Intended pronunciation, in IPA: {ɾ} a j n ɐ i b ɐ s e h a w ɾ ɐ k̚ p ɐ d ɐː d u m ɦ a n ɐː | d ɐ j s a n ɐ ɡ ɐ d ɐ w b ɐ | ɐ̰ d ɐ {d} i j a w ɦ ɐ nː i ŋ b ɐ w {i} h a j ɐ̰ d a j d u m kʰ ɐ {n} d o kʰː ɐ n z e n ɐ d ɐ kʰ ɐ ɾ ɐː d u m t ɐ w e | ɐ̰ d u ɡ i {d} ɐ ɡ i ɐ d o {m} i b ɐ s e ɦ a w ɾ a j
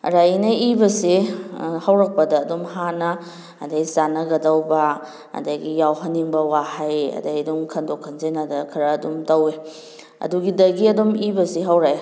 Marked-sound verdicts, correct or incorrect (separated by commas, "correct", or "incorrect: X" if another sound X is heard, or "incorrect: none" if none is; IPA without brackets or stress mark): correct, incorrect: ɡ, incorrect: a, correct, correct, correct